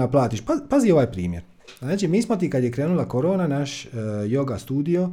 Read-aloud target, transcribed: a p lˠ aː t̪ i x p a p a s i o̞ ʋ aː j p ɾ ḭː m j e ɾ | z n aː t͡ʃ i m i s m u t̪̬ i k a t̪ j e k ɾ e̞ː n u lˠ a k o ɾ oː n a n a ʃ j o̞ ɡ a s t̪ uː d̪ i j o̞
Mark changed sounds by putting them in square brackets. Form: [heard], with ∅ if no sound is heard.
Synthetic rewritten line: a p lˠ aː t̪ i [ʃ] p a p a [z] i o̞ ʋ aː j p ɾ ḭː m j e ɾ | z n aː t͡ʃ i m [iː] s m [o] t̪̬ i k a [d̪] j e k ɾ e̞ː n u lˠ a k o ɾ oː n a n a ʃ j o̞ ɡ a s t̪ uː d̪ i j o̞